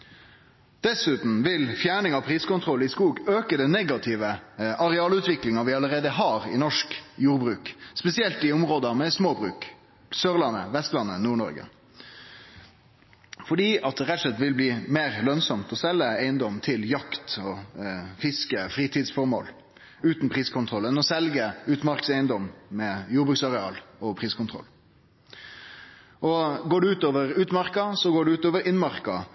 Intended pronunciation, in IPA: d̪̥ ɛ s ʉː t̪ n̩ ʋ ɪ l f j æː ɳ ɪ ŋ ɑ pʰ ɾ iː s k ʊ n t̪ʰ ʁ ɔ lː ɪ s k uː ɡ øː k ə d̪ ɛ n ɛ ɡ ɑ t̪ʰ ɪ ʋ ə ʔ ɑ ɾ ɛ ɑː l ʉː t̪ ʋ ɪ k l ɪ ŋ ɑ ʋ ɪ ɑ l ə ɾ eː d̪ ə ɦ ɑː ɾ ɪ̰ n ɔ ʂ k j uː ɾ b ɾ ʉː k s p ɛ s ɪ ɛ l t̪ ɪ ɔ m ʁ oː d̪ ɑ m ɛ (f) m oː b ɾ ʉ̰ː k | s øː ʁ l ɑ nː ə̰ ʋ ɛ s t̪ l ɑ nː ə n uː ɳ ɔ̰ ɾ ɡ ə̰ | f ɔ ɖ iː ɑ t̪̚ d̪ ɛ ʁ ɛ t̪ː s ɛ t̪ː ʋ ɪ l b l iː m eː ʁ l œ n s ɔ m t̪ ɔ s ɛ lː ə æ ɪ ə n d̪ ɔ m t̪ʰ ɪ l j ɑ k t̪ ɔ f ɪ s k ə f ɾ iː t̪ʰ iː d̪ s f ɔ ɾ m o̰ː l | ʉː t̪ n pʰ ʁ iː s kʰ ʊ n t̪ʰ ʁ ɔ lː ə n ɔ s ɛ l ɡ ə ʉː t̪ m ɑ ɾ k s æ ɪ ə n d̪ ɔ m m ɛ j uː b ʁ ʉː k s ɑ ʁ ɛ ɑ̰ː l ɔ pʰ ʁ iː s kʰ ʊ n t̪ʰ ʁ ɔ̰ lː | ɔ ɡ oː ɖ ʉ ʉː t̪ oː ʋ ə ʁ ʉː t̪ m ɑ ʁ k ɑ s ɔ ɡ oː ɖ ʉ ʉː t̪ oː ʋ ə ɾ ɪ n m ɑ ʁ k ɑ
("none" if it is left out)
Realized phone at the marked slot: s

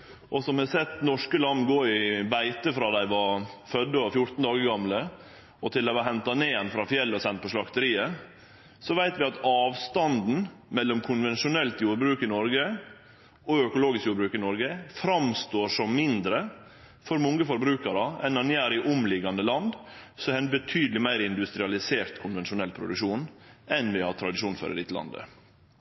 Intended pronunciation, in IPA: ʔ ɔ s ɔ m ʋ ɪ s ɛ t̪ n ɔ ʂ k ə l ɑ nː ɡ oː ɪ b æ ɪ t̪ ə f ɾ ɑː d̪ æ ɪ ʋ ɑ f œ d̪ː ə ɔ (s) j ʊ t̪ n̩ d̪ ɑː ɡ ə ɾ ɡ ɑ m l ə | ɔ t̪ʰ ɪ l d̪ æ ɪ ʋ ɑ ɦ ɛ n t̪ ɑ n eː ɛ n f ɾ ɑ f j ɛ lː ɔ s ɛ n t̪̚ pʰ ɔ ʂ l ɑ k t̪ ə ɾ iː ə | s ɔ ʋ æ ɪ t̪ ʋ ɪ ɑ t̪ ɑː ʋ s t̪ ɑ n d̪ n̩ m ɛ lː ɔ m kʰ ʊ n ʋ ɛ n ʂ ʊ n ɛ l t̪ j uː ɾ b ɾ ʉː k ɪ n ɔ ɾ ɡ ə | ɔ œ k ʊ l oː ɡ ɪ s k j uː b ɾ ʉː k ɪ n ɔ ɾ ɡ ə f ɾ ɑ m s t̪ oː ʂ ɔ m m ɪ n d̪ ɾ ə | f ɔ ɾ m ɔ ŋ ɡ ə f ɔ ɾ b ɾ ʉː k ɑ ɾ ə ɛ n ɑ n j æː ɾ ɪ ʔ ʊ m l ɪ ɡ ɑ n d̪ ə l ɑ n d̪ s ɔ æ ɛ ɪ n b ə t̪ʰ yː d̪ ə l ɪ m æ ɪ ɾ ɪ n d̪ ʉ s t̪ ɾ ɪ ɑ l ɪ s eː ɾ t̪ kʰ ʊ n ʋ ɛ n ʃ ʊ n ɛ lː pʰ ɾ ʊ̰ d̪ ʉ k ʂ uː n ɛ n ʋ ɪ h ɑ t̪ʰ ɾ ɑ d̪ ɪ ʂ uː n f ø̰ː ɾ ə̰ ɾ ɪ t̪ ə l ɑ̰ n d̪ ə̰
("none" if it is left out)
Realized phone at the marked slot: f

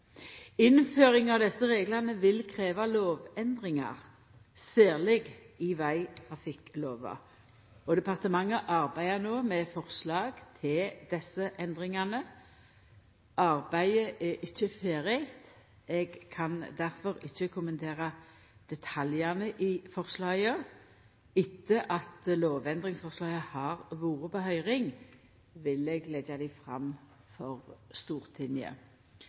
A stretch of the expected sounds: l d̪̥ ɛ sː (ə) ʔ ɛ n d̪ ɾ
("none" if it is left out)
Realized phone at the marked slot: ə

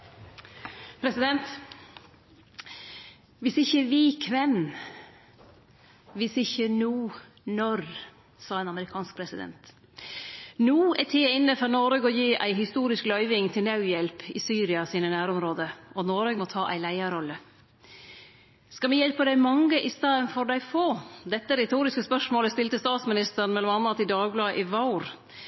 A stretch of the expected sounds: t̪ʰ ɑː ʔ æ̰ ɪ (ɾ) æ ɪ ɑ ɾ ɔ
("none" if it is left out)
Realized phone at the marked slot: l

